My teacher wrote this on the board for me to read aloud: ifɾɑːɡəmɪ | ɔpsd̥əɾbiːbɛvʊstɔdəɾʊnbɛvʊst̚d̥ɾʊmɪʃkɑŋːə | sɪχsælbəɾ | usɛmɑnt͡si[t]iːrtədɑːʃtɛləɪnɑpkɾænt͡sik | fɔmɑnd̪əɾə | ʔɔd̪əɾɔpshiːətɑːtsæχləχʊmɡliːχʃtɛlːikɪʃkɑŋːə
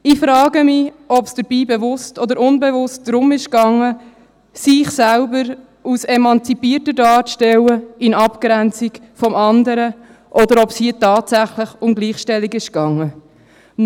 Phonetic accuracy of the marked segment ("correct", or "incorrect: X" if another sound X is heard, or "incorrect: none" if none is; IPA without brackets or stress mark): incorrect: p